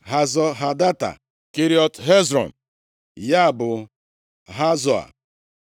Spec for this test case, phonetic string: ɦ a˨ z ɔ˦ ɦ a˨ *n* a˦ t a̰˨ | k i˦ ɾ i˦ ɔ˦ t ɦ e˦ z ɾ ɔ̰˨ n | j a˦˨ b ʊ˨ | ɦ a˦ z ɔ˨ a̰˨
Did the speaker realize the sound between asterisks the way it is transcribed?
no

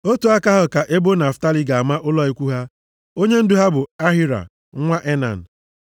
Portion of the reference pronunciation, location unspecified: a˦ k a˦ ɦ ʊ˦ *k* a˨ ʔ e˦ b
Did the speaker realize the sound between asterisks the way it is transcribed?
yes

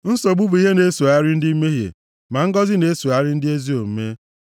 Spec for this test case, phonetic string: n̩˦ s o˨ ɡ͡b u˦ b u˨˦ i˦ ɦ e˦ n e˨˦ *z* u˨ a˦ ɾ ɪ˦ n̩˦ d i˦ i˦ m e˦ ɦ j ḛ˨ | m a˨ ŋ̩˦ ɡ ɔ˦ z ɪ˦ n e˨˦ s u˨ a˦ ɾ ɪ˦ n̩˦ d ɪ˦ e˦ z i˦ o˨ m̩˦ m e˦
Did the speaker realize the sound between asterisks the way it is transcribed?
no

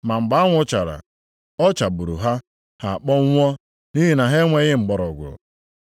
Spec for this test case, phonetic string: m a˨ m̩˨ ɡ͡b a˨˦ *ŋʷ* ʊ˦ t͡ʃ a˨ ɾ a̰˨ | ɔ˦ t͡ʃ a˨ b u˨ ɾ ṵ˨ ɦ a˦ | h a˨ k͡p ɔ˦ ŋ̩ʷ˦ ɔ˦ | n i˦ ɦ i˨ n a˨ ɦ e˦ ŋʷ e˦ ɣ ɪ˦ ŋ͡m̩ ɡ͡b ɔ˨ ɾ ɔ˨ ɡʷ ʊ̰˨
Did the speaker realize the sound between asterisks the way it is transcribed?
yes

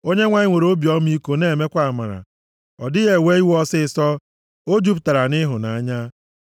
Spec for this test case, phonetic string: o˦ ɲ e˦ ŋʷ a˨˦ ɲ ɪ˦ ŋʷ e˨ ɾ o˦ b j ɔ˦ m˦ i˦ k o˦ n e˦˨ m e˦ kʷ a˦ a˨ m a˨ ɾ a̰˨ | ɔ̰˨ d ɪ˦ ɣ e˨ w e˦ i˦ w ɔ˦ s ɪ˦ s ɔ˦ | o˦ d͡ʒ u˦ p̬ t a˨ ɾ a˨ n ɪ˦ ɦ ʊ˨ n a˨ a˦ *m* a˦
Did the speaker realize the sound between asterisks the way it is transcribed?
no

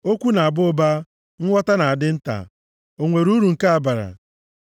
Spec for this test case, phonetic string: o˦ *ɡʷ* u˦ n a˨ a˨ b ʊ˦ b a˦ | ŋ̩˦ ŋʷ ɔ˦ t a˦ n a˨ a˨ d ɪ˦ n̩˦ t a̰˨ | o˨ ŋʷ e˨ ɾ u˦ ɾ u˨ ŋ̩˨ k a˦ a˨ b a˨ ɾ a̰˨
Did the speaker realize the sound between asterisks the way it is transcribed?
no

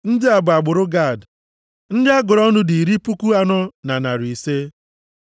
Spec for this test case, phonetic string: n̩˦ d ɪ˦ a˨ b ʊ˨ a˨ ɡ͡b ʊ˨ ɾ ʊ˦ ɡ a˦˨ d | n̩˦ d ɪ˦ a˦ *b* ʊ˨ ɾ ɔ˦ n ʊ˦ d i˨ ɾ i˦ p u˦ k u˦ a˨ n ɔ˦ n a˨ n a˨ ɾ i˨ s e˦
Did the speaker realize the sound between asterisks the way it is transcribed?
no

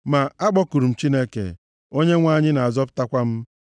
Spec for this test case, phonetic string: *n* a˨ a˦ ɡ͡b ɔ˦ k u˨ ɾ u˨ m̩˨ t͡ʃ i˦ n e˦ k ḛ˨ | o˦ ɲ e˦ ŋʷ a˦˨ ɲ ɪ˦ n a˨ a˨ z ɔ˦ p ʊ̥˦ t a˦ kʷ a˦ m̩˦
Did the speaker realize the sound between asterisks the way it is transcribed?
no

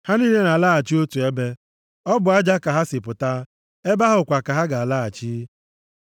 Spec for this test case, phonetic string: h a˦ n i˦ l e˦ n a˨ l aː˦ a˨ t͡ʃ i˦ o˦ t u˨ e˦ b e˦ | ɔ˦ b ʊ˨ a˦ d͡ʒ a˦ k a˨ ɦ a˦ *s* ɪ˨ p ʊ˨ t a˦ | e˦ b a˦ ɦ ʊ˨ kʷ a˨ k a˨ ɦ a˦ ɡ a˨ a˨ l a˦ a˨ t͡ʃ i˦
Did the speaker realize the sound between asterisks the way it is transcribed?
yes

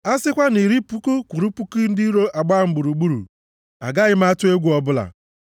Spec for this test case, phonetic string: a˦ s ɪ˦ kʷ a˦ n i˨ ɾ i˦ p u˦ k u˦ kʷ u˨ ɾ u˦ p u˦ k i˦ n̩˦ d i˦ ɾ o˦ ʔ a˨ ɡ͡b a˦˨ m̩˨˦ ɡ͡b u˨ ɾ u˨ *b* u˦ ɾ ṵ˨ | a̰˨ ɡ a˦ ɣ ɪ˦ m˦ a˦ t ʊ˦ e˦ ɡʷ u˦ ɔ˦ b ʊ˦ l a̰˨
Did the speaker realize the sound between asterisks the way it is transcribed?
no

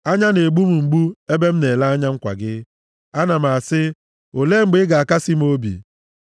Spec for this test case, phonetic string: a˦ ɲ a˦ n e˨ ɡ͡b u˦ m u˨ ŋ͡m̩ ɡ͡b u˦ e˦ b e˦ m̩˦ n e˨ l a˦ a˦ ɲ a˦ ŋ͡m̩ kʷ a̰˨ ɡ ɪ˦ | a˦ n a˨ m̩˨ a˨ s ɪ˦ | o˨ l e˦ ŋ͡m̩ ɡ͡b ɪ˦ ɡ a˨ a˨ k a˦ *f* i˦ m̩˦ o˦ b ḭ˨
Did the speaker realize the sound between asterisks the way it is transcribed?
no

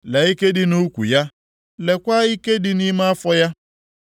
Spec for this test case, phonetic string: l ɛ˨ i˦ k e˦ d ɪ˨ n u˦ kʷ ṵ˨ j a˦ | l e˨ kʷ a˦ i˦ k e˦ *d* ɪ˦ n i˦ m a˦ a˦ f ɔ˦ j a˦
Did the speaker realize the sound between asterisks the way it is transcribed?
yes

